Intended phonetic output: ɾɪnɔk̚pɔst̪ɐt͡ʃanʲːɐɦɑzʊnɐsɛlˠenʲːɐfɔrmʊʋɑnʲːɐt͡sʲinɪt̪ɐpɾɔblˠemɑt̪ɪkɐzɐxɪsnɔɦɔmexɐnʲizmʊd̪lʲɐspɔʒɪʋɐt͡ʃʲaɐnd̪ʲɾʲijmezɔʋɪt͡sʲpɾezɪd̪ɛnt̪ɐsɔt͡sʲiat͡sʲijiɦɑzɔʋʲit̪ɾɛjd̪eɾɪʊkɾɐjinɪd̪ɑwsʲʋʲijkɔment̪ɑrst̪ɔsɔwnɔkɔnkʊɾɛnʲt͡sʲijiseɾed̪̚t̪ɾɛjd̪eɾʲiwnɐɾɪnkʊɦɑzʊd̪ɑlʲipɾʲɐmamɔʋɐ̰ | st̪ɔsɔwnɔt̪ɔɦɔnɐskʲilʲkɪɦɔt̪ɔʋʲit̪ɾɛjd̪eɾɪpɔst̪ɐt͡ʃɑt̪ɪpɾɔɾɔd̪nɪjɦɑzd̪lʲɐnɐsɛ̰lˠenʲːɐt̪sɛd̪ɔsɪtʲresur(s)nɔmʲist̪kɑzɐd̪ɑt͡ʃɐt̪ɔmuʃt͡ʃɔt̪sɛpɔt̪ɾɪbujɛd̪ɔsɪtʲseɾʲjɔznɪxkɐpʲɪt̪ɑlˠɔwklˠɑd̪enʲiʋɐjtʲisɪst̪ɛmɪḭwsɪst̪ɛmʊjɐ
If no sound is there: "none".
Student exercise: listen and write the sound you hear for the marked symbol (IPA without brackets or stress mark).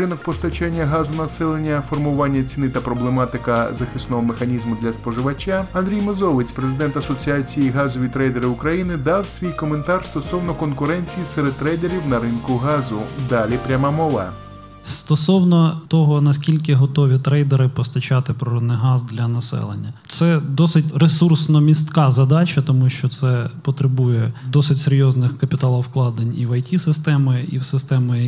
s